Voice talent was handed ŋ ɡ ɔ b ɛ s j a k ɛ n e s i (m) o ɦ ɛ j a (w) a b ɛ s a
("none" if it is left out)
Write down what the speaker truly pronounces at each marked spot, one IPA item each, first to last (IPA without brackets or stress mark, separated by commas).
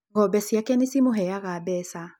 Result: m, ɣ